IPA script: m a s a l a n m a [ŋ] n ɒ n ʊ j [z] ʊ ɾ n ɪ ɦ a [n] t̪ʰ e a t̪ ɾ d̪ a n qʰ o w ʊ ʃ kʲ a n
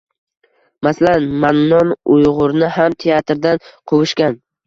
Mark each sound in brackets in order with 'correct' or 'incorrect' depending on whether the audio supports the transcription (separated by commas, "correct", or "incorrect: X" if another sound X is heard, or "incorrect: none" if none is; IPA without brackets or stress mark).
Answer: incorrect: n, incorrect: ʁ, incorrect: m